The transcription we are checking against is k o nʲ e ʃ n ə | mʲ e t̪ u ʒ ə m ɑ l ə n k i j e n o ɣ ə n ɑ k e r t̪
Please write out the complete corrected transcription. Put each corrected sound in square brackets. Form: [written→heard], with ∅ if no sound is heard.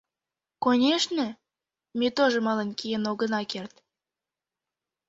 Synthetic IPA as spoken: k o nʲ e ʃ n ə | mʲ e t̪ [u→o] ʒ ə m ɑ l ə n k i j e n o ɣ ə n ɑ k e r t̪

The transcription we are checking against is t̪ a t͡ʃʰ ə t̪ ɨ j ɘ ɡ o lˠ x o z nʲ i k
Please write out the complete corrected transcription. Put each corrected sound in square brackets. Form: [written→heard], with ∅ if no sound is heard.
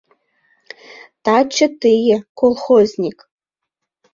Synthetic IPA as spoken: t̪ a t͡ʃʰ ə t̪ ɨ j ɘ [ɡ→k] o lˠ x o z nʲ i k

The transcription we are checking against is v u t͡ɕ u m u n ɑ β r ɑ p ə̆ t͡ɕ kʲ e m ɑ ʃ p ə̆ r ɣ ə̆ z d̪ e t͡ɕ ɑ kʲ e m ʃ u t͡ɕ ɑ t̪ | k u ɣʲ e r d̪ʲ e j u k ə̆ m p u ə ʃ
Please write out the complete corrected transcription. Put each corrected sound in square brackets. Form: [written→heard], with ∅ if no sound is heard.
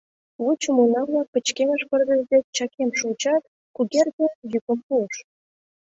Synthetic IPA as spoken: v u t͡ɕ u m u n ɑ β [r→l] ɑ p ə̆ t͡ɕ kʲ e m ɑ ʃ p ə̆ r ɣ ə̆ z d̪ e t͡ɕ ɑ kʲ e m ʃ u t͡ɕ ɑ t̪ | k u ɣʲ e r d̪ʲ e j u k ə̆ m p u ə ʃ

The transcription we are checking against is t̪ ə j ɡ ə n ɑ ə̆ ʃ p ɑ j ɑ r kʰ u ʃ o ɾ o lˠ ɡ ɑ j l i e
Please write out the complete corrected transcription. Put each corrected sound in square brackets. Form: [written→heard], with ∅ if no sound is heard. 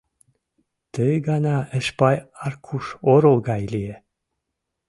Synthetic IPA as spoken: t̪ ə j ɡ [ə→ɑ] n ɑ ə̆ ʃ p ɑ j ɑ r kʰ u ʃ o ɾ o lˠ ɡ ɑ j l i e

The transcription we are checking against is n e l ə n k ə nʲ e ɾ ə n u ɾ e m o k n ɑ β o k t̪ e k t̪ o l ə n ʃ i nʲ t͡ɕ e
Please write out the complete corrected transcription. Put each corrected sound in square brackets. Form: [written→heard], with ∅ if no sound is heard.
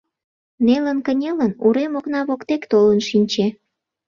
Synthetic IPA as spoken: n e l ə n k ə nʲ e [ɾ→l] ə n u ɾ e m o k n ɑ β o k t̪ e k t̪ o l ə n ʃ i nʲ t͡ɕ e

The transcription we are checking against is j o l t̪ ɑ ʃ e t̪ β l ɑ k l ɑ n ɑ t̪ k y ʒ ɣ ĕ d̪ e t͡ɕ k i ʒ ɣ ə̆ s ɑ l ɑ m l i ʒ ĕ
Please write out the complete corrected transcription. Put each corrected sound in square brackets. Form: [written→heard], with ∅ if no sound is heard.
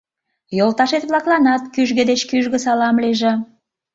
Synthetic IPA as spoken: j o l t̪ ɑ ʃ e t̪ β l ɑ k l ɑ n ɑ t̪ k y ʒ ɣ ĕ d̪ e t͡ɕ k [i→y] ʒ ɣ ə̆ s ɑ l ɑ m l i ʒ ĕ

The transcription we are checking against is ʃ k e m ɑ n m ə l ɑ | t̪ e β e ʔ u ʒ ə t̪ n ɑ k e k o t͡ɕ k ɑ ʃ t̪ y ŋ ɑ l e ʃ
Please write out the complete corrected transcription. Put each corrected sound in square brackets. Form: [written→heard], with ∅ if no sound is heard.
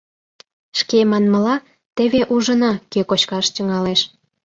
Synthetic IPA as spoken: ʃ k e m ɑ n m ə l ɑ | t̪ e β e ʔ u ʒ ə [t̪→∅] n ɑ k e k o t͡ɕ k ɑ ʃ t̪ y ŋ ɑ l e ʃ

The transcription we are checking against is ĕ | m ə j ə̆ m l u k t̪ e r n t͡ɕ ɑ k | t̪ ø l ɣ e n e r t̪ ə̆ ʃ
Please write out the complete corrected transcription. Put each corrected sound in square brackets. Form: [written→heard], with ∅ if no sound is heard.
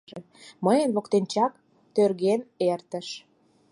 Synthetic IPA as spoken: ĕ | m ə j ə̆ [m→n] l [u→o] k t̪ e [r→∅] n t͡ɕ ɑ k | t̪ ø [l→r] ɣ e n e r t̪ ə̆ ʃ

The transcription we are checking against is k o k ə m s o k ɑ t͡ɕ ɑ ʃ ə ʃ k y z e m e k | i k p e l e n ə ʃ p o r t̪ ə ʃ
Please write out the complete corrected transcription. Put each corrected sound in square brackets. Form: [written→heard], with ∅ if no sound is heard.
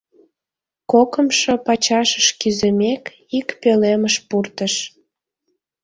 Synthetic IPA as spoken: k o k ə m [s→ʃ] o [k→p] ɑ t͡ɕ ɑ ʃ ə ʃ k y z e m e k | i k p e l e [n→m] ə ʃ p [o→u] r t̪ ə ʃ

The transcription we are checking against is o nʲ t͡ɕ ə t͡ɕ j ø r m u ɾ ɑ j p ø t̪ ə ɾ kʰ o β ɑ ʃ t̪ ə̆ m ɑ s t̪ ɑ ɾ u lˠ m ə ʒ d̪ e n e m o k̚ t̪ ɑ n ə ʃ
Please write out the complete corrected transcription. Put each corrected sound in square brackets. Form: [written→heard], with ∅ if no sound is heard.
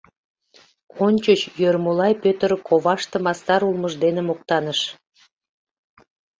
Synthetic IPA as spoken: o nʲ t͡ɕ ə t͡ɕ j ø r m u [ɾ→l] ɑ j p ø t̪ ə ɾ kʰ o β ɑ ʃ t̪ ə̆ m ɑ s t̪ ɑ ɾ u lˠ m ə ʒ d̪ e n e m o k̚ t̪ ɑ n ə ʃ

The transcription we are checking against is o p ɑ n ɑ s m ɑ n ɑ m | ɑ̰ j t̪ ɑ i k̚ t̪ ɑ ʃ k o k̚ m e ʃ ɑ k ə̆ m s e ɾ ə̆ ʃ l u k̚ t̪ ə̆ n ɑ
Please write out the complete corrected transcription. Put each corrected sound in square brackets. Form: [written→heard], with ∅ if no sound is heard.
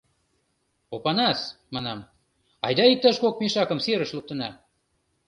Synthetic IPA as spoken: o p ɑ n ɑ s m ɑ n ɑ m | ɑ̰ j [t̪→d̪] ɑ i k̚ t̪ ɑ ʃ k o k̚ m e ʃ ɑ k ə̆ m s e ɾ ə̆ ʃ l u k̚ t̪ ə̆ n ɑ

